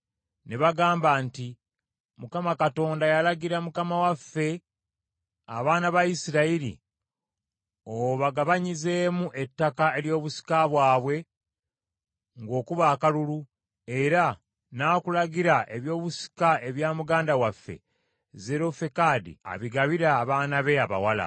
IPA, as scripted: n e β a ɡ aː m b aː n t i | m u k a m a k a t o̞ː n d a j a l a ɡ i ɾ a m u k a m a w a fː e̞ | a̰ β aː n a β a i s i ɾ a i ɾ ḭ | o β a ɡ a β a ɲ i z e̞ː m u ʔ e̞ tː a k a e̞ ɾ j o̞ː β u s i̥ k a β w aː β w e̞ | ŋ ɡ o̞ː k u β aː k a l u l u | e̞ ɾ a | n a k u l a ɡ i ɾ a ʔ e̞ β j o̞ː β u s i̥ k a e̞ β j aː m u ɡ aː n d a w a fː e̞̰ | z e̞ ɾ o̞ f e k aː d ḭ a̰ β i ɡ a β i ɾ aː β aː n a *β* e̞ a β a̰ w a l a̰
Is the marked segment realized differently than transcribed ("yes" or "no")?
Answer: no